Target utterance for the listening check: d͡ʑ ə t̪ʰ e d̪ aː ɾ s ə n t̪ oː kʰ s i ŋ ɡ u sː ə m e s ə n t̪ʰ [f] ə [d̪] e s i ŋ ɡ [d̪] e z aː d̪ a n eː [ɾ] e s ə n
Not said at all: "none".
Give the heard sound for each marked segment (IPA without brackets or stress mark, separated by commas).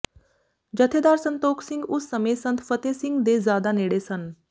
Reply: f, t̪, d̪, ɽ